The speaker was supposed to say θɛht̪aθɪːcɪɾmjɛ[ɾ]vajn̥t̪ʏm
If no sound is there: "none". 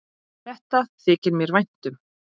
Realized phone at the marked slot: ɾ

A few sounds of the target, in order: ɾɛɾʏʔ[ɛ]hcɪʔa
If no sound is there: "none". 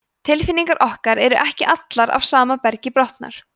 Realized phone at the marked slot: ɛ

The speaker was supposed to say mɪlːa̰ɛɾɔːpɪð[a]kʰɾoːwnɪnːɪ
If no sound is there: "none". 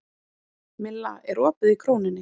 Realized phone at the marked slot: i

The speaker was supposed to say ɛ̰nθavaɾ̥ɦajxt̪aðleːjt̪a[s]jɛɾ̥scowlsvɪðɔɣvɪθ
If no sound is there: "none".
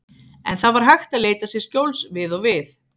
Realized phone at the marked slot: s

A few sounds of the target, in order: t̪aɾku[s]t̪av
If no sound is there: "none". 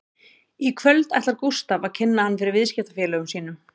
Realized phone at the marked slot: s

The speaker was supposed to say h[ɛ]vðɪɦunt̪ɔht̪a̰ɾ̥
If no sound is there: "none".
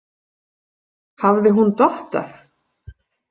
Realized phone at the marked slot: a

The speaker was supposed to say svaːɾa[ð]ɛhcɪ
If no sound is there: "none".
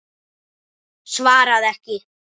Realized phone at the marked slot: ð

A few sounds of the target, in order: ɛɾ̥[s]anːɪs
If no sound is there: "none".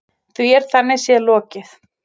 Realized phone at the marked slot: θ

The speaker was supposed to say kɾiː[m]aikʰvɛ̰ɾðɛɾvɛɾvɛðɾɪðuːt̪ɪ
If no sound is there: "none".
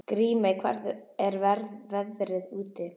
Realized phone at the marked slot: m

